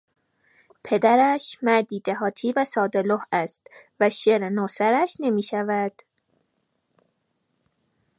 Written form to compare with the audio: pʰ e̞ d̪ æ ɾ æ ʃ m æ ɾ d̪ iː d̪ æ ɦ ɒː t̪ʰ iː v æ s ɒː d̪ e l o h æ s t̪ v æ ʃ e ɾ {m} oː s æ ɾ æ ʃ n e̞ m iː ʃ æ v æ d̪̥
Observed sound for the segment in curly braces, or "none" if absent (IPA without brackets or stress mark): n